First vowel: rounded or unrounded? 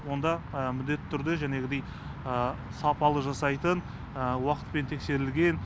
rounded